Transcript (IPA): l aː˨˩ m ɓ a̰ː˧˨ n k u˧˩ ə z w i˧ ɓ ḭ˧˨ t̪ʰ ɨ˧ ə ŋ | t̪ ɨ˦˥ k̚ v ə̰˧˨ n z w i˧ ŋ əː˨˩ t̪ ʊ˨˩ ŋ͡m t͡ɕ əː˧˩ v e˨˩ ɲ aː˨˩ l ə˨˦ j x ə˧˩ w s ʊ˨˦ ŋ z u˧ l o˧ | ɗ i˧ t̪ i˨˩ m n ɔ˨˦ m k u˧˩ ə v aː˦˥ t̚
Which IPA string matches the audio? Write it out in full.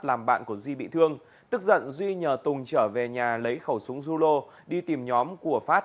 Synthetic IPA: l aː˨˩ m ɓ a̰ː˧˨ n k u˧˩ ə z w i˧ ɓ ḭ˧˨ t̪ʰ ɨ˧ ə ŋ | t̪ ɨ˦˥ k̚ z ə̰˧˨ n z w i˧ ɲ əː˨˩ t̪ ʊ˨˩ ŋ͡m t͡ɕ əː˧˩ v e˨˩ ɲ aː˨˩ l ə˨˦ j x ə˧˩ w s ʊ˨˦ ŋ z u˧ l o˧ | ɗ i˧ t̪ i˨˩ m ɲ ɔ˨˦ m k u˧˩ ə f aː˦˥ t̚

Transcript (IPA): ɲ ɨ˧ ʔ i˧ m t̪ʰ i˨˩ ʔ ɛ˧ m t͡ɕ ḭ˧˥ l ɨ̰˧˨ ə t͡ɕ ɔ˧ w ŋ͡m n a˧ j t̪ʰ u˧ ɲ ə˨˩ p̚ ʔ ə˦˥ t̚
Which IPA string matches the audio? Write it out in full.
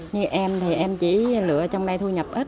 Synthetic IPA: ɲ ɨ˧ ʔ ɛ˧ m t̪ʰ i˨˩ ʔ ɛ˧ m t͡ɕ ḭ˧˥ l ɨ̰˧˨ ə t͡ɕ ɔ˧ w ŋ͡m n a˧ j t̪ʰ u˧ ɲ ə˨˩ p̚ ʔ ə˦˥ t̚

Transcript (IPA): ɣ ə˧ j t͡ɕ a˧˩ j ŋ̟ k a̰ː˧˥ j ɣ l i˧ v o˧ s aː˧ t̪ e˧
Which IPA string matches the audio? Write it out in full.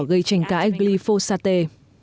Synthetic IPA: ɣ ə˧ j t͡ɕ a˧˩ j ŋ̟ k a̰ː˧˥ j ɣ l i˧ f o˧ s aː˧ t̪ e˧

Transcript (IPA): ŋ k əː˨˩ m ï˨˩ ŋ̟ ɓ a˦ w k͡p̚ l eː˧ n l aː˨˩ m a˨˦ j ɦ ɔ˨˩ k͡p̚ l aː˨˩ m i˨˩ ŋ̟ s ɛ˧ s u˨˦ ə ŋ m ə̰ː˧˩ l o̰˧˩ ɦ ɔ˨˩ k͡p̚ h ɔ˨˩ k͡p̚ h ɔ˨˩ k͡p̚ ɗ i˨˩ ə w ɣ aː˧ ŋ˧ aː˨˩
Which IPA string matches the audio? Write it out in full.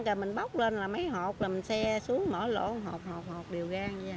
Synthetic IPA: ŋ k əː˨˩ m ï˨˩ ŋ̟ ɓ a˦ w k͡p̚ l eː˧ n l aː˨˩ m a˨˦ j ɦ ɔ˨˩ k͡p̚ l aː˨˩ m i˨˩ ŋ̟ s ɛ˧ s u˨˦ ə ŋ m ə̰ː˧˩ l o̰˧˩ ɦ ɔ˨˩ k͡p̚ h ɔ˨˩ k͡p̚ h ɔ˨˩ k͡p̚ ɗ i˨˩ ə w ɣ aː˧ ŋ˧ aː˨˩

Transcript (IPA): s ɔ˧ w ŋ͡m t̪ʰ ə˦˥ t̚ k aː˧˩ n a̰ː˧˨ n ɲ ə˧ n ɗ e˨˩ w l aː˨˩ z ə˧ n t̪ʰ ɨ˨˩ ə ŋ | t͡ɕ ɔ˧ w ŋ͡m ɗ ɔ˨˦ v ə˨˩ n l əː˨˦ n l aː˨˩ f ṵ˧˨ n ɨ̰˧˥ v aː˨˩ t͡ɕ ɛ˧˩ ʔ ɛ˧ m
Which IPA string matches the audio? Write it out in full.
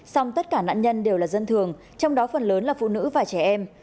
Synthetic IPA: s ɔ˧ w ŋ͡m t̪ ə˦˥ t̚ k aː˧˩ n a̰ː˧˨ n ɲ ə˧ n ɗ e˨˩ w l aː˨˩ z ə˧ n t̪ʰ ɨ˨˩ ə ŋ | t͡ɕ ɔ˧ w ŋ͡m ɗ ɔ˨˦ f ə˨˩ n l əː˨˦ n l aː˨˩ f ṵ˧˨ n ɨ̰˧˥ v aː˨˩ t͡ɕ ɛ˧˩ ʔ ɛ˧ m

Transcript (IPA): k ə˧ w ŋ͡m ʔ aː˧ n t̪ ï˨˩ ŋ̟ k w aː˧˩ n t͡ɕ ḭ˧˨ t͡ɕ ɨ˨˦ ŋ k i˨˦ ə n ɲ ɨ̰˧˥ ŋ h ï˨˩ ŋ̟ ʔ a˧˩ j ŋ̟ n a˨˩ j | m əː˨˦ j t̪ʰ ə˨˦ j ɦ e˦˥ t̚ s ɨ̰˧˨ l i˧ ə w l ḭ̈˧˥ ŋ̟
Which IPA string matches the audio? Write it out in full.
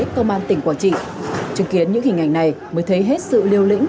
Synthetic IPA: k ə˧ w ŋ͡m ʔ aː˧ n t̪ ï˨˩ ŋ̟ k w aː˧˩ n t͡ɕ ḭ˧˨ t͡ɕ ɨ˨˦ ŋ k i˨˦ ə n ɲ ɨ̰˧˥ ŋ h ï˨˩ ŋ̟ ʔ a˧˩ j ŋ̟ n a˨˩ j | m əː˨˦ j t̪ʰ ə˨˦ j ɦ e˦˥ t̚ s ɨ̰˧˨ l i˧ ə w l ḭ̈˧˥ ŋ̟

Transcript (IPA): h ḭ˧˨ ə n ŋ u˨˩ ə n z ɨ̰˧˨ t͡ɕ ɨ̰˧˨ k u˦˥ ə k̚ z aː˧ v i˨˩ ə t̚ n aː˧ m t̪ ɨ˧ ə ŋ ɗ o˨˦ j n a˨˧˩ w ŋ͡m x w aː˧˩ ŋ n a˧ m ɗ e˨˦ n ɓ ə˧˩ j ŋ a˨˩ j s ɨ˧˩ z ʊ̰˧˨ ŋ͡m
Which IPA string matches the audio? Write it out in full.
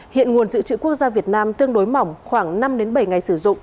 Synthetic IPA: h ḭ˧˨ ə n ŋ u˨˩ ə n z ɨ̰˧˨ t͡ɕ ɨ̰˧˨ k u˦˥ ə k̚ z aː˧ v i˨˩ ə t̚ n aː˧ m t̪ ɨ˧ ə ŋ ɗ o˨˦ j m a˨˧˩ w ŋ͡m x w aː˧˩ ŋ n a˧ m ɗ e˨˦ n ɓ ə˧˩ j ŋ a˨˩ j s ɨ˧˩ z ʊ̰˧˨ ŋ͡m

